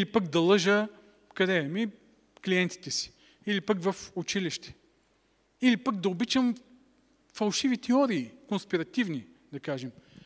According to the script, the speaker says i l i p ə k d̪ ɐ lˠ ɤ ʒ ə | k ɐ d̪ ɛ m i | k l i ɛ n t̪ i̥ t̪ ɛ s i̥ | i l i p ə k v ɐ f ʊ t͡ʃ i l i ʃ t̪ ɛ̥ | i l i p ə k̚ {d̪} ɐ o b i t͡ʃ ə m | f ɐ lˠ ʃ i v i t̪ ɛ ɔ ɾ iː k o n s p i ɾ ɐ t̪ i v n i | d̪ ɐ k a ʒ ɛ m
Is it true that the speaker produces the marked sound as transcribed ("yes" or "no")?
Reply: yes